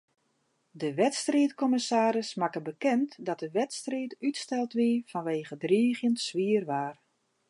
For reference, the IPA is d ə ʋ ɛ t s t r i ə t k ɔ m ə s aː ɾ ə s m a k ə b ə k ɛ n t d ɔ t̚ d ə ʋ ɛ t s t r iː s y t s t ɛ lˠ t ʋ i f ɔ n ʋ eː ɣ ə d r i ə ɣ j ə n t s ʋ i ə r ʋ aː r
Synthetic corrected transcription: d ə ʋ ɛ t s t r i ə t k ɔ m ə s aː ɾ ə s m a k ə b ə k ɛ n t d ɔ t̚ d ə ʋ ɛ t s t r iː t y t s t ɛ lˠ t ʋ i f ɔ n ʋ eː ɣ ə d r i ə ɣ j ə n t s ʋ i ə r ʋ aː r